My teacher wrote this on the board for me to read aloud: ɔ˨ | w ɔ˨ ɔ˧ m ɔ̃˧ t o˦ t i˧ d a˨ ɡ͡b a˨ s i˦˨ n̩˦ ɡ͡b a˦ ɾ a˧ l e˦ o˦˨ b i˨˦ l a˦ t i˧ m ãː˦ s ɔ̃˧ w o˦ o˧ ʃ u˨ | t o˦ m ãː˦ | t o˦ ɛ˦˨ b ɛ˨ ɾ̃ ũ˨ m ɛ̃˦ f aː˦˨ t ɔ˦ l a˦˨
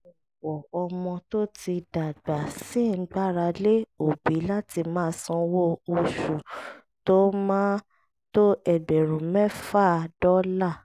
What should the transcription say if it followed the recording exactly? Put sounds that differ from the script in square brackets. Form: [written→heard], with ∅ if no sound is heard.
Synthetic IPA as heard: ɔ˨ | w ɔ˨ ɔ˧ m ɔ̃˧ t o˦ t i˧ d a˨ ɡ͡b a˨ s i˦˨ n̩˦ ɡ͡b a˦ ɾ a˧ l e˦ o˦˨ b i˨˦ l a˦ t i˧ m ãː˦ s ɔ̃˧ w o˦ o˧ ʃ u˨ | t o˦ m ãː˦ | t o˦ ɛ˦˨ b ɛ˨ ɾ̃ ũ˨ m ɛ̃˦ f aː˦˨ [t→d] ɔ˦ l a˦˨